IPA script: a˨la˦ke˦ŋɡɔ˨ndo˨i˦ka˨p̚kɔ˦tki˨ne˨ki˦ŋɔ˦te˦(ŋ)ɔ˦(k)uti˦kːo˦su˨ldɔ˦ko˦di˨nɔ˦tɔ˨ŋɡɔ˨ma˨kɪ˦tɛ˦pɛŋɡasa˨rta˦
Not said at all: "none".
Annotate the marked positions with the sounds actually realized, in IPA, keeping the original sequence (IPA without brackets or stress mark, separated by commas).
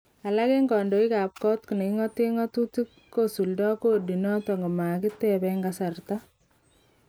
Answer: ŋ, t